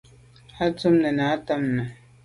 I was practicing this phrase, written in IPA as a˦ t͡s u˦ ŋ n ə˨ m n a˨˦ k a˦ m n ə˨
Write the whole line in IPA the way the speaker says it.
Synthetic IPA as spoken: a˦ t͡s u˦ m n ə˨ n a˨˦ t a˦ m n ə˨